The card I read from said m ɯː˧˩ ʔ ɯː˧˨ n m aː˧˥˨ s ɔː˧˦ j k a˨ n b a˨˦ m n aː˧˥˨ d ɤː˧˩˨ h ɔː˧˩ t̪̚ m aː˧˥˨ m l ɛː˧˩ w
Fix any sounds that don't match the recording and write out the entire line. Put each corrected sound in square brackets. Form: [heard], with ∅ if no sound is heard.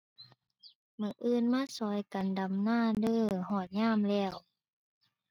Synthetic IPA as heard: m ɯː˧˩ ʔ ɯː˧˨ n m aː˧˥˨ s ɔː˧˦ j k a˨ n [d] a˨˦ m n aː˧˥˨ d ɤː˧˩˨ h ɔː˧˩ t̪̚ [ɲ] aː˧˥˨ m l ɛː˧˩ w